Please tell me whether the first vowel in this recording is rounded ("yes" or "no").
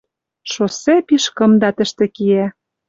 yes